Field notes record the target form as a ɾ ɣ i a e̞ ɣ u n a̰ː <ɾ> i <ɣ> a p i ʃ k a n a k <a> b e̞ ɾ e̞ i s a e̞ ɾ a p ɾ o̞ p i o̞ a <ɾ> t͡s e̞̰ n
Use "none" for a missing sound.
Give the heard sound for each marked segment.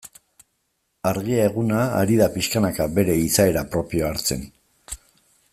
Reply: ɾ, ð, a, ɾ

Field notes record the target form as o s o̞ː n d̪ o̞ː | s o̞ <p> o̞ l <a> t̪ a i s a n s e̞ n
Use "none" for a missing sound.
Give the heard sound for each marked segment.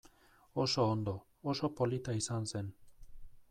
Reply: p, i

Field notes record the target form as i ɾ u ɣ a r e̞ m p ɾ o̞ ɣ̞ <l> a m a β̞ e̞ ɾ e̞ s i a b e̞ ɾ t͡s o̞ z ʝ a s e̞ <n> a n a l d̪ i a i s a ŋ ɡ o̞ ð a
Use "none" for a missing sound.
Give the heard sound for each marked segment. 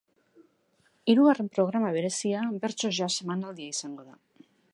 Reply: ɾ, m

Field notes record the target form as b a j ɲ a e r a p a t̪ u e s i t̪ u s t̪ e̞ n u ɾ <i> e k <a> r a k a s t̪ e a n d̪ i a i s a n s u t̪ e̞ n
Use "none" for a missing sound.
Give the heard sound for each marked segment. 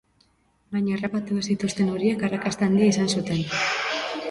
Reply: i, a

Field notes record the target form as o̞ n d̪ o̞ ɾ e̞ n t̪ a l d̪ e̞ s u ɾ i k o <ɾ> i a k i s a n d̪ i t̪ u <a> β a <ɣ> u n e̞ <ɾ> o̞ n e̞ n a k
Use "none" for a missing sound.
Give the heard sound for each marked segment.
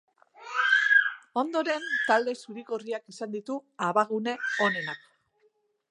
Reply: r, a, ɣ, none

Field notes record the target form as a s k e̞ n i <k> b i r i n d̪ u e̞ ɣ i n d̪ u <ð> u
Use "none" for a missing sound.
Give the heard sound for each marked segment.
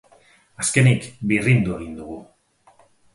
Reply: k, ɣ

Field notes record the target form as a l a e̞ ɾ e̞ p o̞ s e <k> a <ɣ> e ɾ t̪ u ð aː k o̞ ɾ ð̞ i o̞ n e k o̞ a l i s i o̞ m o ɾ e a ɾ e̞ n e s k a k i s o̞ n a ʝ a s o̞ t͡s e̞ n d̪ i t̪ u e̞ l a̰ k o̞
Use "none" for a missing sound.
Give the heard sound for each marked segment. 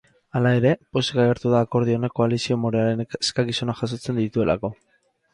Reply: k, ɣ

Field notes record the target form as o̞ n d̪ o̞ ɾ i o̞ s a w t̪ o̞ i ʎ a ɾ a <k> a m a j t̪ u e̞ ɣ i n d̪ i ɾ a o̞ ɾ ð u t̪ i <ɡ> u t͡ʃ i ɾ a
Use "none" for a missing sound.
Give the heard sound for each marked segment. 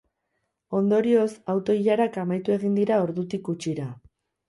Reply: k, k

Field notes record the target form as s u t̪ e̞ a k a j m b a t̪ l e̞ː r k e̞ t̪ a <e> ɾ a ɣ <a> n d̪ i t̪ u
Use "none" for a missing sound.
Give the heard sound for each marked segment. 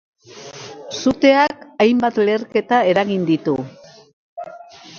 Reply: e, i

